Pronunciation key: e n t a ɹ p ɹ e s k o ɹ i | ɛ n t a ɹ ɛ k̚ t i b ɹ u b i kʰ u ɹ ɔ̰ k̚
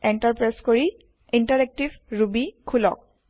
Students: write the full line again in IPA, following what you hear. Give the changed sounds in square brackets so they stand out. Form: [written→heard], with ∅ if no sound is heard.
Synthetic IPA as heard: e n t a ɹ p ɹ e s k o ɹ i | [ɛ→i] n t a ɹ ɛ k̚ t i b ɹ u b i kʰ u [ɹ→l] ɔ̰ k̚